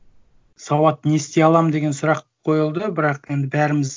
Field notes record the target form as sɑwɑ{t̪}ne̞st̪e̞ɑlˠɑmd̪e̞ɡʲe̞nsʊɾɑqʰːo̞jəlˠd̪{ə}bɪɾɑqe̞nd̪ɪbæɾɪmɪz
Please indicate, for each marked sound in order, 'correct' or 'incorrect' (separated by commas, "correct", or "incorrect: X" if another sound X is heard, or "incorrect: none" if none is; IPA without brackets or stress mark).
correct, correct